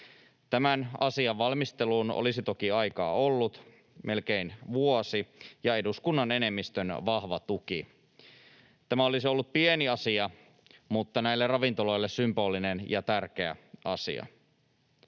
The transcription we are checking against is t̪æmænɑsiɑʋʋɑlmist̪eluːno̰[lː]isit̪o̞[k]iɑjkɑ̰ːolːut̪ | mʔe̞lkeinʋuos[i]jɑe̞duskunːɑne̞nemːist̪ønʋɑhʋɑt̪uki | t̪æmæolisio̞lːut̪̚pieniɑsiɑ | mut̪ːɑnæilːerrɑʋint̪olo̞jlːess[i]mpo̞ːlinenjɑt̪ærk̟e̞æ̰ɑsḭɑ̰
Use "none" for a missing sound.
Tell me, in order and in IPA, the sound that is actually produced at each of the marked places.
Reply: l, k, i, y

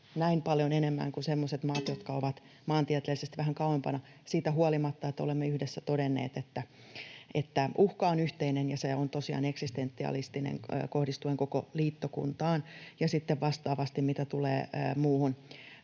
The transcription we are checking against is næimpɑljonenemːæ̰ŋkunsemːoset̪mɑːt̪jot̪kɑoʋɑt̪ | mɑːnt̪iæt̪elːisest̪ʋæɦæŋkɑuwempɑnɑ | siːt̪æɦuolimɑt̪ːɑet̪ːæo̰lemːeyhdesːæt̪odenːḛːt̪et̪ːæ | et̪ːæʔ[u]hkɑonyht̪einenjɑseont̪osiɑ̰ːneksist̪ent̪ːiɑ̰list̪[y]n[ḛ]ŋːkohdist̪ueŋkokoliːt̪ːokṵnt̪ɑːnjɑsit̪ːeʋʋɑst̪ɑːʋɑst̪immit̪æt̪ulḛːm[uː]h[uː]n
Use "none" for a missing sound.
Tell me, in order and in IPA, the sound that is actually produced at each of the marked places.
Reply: u, i, ḛ, uː, u

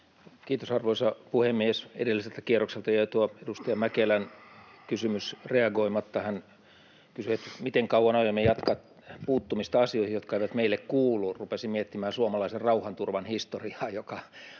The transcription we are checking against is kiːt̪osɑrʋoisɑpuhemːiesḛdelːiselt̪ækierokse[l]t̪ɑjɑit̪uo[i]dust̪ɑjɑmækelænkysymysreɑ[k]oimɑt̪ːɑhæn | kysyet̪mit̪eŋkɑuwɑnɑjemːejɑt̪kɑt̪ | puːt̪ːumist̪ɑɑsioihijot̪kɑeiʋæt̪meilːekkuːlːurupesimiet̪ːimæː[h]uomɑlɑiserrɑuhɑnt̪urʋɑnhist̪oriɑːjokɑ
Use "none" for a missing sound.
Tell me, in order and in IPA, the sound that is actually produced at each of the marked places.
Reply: l, e, ɡ, s

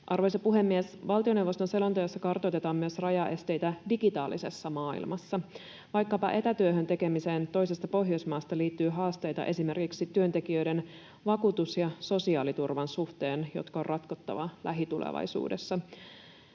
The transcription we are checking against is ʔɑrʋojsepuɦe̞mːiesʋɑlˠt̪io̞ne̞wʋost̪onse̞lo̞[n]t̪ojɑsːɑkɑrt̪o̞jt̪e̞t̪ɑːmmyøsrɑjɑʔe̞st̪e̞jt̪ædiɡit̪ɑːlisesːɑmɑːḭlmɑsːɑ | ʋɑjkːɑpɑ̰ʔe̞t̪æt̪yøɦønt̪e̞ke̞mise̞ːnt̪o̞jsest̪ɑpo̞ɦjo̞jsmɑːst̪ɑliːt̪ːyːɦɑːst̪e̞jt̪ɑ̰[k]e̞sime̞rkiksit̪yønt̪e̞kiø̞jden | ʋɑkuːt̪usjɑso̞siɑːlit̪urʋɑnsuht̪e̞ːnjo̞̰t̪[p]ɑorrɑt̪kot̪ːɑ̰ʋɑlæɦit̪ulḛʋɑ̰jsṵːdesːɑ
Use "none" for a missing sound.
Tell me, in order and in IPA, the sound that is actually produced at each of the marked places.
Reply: n, ʔ, k

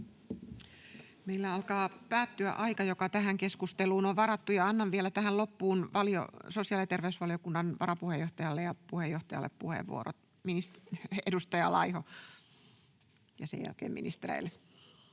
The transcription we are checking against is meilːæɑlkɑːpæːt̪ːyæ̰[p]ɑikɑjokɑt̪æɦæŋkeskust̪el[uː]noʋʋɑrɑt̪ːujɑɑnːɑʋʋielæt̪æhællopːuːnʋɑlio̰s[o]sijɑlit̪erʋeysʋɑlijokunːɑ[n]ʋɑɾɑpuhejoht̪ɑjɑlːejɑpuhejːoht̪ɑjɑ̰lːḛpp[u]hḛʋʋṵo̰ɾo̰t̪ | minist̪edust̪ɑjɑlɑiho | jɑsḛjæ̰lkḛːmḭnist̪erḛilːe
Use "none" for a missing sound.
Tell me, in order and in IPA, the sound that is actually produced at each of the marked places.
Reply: ʔ, uː, o, n, u

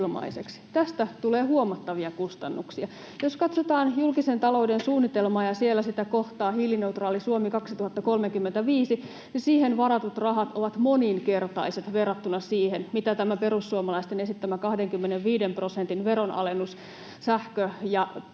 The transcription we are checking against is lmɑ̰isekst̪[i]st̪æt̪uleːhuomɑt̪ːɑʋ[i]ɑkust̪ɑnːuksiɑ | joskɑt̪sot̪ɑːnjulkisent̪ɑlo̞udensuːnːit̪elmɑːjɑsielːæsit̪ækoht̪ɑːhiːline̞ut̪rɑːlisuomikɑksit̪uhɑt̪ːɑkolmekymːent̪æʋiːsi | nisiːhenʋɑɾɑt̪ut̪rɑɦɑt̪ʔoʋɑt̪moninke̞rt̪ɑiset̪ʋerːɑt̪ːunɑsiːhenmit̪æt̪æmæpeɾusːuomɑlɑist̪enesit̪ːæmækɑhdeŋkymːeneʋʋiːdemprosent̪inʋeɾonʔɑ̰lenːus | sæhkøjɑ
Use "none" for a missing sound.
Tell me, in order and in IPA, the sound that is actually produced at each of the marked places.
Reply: æ, i

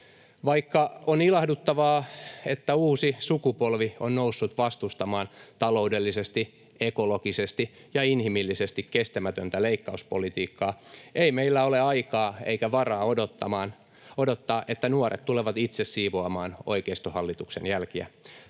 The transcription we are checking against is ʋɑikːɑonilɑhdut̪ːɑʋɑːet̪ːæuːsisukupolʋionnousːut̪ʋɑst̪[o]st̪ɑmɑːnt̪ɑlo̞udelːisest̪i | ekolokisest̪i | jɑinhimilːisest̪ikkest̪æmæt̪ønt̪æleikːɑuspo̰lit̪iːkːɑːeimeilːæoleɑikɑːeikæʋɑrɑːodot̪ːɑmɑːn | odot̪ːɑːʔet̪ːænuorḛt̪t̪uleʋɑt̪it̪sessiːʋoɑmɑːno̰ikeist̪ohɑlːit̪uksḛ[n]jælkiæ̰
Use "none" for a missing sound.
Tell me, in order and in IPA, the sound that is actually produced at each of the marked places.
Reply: u, n

